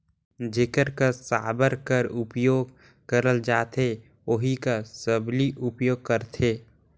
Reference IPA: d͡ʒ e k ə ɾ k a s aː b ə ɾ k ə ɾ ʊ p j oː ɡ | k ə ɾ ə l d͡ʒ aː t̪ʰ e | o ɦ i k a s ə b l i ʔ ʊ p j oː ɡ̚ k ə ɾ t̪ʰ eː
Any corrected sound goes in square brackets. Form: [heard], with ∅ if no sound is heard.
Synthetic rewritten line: d͡ʒ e k ə ɾ k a s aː b ə ɾ k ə ɾ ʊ p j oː ɡ | k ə ɾ ə l d͡ʒ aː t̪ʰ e | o ɦ i k a s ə b l i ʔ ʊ p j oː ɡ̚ k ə ɾ t̪ʰ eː

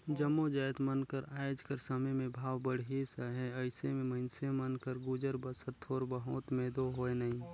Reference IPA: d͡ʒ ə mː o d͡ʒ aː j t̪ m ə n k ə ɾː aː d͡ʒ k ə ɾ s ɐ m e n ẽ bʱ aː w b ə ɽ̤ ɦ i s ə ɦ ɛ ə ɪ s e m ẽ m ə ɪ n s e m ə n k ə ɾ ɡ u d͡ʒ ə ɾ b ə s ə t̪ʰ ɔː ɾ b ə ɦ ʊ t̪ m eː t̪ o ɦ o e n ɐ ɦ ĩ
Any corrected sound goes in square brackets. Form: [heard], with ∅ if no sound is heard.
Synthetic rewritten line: d͡ʒ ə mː o d͡ʒ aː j t̪ m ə n k ə [ɾ] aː d͡ʒ k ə ɾ s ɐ m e [m] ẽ bʱ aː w b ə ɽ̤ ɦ i s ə ɦ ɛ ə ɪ s e m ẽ m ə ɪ n s e m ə n k ə ɾ ɡ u d͡ʒ ə ɾ b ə s ə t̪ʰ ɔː ɾ b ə ɦ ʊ t̪ m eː [d̪] o ɦ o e n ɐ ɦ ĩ

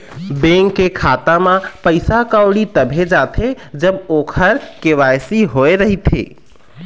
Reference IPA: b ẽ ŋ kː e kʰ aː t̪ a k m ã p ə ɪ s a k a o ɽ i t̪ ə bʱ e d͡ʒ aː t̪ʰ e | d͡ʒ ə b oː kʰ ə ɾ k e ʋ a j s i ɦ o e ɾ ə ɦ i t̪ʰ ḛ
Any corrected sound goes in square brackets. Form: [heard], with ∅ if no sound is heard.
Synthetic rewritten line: b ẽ ŋ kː e kʰ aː t̪ a [∅] m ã p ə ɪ s a k a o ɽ i t̪ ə bʱ e d͡ʒ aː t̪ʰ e | d͡ʒ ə b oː kʰ ə ɾ k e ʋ a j s i ɦ o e ɾ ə ɦ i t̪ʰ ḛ

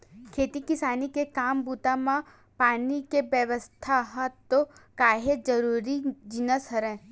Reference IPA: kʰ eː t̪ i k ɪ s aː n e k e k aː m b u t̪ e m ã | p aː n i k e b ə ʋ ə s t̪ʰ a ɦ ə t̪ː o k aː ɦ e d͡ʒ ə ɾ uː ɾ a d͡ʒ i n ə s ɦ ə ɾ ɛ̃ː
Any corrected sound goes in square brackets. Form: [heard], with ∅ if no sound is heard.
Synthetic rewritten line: kʰ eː t̪ i k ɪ s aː n [i] k e k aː m b u t̪ [a] m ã | p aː n i k e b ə ʋ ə s t̪ʰ a ɦ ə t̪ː o k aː ɦ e d͡ʒ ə ɾ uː ɾ [i] d͡ʒ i n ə s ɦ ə ɾ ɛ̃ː

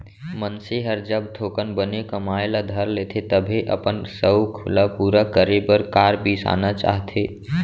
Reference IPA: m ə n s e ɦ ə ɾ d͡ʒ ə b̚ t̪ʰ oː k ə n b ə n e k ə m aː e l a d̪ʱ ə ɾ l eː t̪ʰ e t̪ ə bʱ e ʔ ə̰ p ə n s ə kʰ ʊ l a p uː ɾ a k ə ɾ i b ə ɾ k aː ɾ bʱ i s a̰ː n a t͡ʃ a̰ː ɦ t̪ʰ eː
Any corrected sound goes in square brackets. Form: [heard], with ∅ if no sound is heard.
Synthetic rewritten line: m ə n s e ɦ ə ɾ d͡ʒ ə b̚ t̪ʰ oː k ə n b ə n e k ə m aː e l a d̪ʱ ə ɾ l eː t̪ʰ e t̪ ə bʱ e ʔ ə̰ p ə n s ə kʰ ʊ l a p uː ɾ a k ə ɾ [e] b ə ɾ k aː ɾ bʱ i s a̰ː n a t͡ʃ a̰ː ɦ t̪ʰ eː

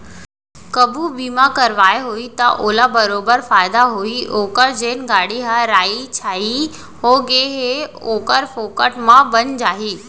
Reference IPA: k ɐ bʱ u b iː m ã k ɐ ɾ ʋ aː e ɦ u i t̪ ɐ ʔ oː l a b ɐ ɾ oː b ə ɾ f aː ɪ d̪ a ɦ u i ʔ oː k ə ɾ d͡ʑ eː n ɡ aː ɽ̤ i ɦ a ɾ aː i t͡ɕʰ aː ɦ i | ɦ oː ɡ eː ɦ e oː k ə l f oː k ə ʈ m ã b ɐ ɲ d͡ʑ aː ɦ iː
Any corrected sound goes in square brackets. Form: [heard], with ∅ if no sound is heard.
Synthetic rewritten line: k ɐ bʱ u b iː m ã k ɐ ɾ ʋ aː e ɦ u i t̪ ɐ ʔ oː l a b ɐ ɾ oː b ə ɾ f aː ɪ d̪ a ɦ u i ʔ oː k ə ɾ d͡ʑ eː n ɡ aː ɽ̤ i ɦ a ɾ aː i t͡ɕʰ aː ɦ i | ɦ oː ɡ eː ɦ e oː k ə [ɾ] f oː k ə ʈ m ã b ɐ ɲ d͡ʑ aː ɦ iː

